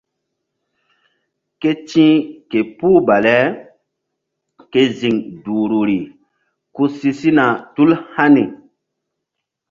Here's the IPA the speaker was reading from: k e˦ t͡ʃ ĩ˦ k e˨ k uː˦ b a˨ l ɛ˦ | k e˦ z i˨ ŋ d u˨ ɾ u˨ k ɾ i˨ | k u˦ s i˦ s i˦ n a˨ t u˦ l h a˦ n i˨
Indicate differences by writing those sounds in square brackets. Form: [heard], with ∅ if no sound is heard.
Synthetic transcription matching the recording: k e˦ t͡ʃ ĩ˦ k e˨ [p] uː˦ b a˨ l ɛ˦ | k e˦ z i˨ ŋ d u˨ ɾ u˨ [∅] ɾ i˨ | k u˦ s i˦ s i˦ n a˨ t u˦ l h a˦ n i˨